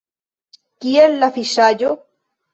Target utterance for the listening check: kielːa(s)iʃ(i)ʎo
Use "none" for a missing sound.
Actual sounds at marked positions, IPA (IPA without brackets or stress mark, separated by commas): f, a